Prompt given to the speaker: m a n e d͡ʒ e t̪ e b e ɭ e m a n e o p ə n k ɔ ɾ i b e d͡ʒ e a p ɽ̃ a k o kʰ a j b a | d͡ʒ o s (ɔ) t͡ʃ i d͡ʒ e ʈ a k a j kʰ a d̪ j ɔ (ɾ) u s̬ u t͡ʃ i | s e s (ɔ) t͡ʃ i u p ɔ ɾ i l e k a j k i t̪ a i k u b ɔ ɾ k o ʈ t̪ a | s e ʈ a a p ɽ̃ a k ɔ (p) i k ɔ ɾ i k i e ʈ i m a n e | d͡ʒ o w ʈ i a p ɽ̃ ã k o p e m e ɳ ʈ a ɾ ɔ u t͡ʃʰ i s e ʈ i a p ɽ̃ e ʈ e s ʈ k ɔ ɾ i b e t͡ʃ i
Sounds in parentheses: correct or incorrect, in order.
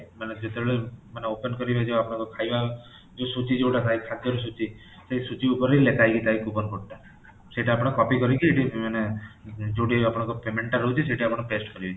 incorrect, correct, incorrect, correct

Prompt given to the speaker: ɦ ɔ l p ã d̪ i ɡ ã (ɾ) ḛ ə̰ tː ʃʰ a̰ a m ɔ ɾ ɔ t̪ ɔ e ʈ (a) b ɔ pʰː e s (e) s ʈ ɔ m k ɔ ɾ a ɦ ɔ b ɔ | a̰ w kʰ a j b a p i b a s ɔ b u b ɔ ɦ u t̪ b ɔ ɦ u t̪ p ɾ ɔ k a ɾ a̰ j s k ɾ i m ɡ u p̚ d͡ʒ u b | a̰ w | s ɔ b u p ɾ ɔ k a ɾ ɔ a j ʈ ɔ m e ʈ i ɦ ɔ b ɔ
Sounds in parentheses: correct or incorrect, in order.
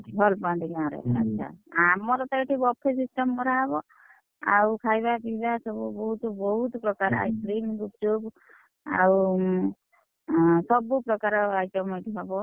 correct, incorrect, incorrect

